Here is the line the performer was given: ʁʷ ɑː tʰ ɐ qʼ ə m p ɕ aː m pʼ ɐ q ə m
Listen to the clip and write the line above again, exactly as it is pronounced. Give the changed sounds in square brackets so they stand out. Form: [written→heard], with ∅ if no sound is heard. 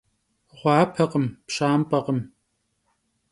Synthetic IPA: ʁʷ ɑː [tʰ→pʰ] ɐ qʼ ə m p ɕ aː m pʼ ɐ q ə m